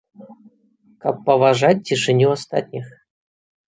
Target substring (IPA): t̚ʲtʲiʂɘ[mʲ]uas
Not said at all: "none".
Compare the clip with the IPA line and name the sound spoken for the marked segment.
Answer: nʲ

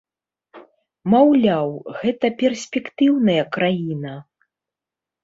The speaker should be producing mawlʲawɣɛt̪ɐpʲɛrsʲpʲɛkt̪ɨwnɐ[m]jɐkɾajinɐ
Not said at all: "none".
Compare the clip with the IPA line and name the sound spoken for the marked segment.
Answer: none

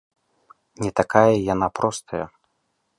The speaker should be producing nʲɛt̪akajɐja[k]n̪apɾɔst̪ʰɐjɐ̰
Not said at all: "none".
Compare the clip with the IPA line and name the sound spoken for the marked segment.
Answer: none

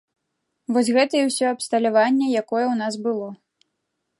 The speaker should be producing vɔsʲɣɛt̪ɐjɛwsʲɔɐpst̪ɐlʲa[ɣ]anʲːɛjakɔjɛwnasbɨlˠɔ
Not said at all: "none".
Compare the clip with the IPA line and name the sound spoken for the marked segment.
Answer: v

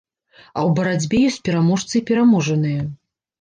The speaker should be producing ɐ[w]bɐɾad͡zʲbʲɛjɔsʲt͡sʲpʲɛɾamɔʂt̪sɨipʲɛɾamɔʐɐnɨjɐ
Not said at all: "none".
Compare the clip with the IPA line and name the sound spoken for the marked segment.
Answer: w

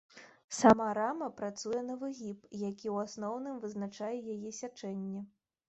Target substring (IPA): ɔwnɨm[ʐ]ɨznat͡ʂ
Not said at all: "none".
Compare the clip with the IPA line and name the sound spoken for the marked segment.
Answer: v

